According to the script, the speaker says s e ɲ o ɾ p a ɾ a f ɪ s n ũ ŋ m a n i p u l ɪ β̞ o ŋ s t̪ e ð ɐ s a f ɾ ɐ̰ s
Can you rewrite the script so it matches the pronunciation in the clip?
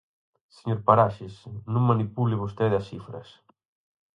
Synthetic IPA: s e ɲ o ɾ p a ɾ a ʃ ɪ s n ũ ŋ m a n i p u l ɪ β̞ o s t̪ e ð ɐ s i f ɾ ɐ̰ s